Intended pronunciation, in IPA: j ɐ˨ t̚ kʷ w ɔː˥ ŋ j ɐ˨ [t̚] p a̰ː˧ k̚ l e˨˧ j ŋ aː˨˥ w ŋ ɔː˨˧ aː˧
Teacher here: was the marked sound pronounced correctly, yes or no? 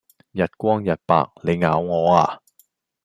yes